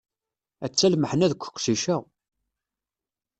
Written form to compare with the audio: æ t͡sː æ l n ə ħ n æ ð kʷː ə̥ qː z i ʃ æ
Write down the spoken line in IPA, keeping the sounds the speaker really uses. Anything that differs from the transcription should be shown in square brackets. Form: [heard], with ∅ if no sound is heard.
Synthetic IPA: æ t͡sː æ l [m] ə ħ n æ ð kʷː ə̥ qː [s] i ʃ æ